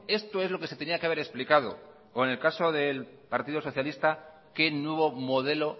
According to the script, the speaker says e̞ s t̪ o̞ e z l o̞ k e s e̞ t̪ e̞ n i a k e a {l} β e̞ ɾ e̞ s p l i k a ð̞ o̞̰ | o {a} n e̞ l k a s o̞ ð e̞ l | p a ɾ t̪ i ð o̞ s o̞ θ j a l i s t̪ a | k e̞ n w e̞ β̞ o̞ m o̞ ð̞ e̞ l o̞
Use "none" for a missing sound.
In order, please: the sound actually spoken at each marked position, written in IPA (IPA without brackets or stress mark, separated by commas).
none, e